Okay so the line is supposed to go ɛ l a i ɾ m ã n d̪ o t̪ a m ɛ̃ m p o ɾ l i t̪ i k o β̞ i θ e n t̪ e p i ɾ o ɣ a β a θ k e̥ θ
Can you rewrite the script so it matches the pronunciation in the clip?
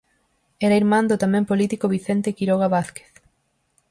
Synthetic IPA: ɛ ɾ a i ɾ m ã n d̪ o t̪ a m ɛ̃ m p o l i t̪ i k o β̞ i θ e n t̪ e k i ɾ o ɣ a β a θ k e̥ θ